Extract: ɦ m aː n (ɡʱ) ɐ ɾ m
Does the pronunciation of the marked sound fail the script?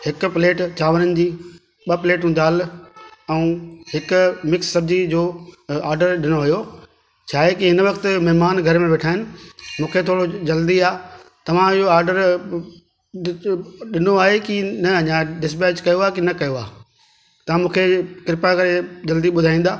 no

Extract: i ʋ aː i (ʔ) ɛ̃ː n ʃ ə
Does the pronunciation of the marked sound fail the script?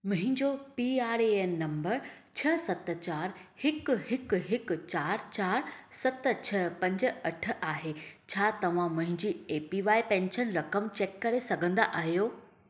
yes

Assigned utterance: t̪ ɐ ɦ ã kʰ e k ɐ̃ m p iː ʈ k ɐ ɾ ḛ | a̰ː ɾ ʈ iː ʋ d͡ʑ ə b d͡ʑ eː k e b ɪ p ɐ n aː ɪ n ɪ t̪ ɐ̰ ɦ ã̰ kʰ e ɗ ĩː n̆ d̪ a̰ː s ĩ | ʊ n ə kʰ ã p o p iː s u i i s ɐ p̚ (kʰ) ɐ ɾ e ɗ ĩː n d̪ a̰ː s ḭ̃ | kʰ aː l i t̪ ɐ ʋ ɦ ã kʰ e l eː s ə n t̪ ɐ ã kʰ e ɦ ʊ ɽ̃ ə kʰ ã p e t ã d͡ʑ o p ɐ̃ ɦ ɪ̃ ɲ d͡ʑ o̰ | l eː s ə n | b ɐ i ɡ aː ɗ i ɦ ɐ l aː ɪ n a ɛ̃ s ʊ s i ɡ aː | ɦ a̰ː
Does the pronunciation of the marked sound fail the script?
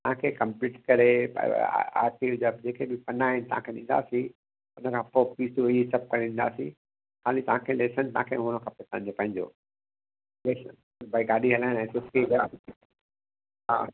yes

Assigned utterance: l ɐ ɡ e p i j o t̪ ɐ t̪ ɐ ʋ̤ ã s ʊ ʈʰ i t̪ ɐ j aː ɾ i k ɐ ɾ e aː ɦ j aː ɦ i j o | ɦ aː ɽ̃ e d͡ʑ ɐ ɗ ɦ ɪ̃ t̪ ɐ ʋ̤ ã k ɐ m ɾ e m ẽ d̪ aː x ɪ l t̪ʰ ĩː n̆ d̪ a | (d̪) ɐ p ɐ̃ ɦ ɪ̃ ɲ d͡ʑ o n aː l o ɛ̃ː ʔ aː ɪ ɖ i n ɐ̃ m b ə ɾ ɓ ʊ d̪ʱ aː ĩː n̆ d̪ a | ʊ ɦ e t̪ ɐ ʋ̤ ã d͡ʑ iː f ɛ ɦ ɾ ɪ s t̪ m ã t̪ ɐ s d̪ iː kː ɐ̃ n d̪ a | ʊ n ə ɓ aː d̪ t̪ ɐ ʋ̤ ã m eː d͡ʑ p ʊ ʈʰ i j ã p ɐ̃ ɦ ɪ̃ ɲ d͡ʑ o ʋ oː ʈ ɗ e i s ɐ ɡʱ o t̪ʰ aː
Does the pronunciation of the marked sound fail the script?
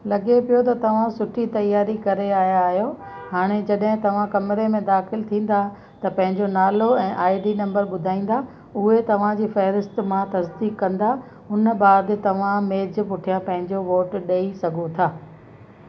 yes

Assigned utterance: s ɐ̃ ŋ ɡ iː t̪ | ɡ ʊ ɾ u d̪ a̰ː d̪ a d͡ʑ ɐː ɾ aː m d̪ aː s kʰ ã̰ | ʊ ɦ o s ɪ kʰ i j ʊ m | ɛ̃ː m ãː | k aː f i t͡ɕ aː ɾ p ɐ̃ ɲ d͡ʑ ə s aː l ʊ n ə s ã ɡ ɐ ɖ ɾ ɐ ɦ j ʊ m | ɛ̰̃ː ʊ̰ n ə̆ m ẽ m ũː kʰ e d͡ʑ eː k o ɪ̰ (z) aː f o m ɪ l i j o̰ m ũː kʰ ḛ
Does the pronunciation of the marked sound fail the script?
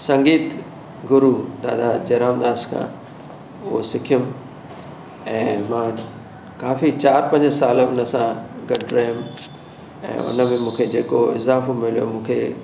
no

